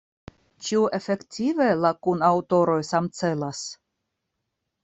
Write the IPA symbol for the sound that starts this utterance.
t͡ʃ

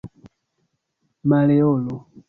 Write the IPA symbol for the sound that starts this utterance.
m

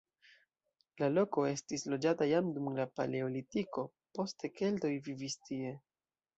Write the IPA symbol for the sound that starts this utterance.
l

